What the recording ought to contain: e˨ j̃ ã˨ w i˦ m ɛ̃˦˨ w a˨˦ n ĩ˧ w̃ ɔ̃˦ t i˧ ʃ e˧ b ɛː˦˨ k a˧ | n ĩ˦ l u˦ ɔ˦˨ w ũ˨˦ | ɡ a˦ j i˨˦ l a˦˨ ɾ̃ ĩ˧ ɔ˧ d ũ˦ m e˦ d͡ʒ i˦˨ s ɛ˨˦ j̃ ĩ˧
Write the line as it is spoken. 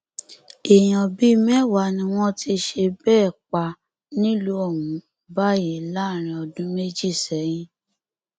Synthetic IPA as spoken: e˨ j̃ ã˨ b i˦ m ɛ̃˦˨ w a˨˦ n ĩ˧ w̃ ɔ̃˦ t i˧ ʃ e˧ b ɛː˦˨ k͡p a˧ | n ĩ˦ l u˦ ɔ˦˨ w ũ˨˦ | b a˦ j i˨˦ l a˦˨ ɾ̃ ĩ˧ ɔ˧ d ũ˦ m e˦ d͡ʒ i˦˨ s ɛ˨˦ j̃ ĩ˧